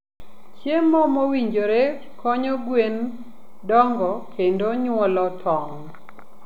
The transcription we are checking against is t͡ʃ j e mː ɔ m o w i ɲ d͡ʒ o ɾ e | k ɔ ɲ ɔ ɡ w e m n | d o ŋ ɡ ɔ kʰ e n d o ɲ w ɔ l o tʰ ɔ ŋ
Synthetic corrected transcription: t͡ʃ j e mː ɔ m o w i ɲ d͡ʒ o ɾ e | k ɔ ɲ ɔ ɡ w e n | d ɔ ŋ ɡ ɔ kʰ e n d o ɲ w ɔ l ɔ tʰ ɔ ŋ